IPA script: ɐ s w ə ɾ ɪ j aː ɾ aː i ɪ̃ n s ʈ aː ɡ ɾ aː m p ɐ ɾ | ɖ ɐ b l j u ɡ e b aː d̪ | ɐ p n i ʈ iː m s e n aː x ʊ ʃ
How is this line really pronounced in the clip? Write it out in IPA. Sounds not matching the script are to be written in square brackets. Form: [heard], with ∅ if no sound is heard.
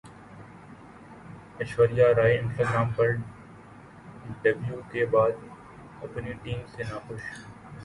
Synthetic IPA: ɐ [ʃ] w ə ɾ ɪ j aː ɾ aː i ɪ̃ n s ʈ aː ɡ ɾ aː m p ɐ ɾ | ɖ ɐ b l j u [k] e b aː d̪ | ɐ p n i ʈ iː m s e n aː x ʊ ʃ